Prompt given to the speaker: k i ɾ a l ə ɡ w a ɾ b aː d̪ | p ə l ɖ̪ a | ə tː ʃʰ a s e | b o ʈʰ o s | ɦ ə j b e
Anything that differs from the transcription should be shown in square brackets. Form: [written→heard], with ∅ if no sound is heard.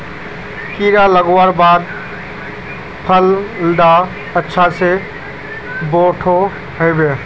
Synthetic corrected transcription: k i ɾ a l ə ɡ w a ɾ b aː d̪ | [p→pʰ] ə l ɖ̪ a | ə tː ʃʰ a s e | b o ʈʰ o [s→∅] | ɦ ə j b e

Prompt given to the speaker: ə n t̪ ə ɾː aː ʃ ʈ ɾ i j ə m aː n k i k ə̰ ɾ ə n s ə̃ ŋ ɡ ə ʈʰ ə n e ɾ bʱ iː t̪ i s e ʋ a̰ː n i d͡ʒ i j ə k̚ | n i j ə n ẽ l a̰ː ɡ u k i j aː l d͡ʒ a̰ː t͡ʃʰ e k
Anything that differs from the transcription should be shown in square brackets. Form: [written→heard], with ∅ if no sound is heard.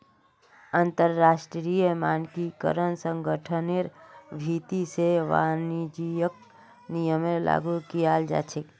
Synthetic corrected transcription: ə n t̪ ə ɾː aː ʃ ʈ ɾ i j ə m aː n k i k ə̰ ɾ ə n s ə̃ ŋ ɡ ə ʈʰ ə n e ɾ bʱ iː t̪ i s e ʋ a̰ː n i d͡ʒ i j ə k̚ | n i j ə [n→m] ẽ l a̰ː ɡ u k i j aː l d͡ʒ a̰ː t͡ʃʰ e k

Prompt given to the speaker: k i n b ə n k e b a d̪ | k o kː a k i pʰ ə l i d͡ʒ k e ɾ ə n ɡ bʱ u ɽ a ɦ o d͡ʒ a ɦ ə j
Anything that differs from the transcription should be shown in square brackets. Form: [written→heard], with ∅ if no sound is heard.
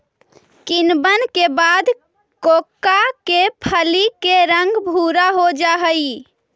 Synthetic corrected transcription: k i n b ə n k e b a d̪ | k o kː a k [i→e] pʰ ə l i [d͡ʒ→∅] k e ɾ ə [n→ŋ] ɡ bʱ u [ɽ→ɾ] a ɦ o d͡ʒ a ɦ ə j

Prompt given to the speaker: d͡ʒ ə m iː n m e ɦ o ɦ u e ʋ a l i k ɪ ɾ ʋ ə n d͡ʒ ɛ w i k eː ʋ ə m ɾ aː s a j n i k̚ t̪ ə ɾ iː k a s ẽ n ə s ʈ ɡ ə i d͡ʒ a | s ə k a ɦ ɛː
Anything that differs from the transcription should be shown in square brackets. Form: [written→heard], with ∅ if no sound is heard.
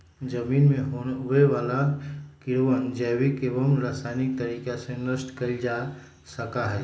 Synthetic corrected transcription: d͡ʒ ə m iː n m e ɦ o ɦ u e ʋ a l [i→a] k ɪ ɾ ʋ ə n d͡ʒ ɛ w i k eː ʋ ə m ɾ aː s a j n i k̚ t̪ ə ɾ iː k a s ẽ n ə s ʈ [ɡ→k] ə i d͡ʒ a | s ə k a ɦ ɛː

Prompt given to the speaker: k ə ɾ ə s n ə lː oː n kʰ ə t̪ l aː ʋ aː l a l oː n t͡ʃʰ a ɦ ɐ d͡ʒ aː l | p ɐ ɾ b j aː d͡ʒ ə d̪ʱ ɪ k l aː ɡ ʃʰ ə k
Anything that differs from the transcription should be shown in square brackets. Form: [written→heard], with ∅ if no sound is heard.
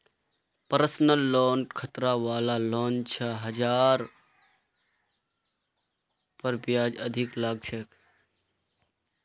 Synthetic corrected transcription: [k→p] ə ɾ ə s n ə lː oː n kʰ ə t̪ [l→ɾ] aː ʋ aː l a l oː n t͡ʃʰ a ɦ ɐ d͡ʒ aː [l→ɾ] | p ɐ ɾ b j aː d͡ʒ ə d̪ʱ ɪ k l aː ɡ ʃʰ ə k

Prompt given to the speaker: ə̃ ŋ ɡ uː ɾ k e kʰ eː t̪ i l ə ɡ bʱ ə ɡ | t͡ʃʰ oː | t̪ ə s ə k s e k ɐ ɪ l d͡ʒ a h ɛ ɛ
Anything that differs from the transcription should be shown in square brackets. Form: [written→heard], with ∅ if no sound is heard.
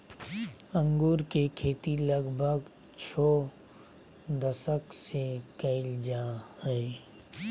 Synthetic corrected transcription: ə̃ ŋ ɡ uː ɾ k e kʰ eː t̪ i l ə ɡ bʱ ə ɡ | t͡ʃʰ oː | [t̪→d̪] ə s ə k s e k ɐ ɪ l d͡ʒ a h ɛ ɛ

